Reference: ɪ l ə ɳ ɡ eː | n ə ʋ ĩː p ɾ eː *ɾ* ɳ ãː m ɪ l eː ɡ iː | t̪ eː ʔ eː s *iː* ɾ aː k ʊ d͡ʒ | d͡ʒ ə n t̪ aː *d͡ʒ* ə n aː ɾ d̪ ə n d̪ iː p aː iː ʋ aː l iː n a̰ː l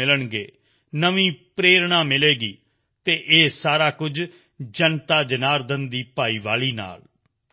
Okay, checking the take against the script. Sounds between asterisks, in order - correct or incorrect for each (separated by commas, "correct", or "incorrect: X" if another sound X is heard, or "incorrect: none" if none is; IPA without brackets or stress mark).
correct, incorrect: aː, correct